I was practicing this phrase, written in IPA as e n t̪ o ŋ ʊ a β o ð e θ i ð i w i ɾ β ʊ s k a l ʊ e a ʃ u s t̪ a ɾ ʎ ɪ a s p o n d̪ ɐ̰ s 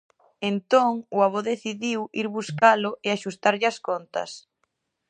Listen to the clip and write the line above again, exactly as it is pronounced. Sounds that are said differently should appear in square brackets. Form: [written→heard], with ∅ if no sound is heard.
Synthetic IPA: e n t̪ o ŋ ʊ a β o ð e θ i ð i w i ɾ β [ʊ→u] s k a l ʊ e a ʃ u s t̪ a ɾ ʎ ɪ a s [p→k] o n [d̪→t̪] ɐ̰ s